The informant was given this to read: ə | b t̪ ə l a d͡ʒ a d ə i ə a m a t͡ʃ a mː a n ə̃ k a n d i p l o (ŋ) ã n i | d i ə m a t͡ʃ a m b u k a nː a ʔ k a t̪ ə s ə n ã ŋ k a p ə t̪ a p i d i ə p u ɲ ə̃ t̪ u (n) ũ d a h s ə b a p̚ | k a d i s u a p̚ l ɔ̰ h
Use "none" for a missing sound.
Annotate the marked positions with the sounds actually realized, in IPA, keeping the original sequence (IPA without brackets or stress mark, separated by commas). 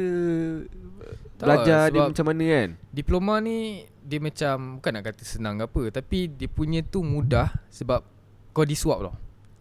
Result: m, m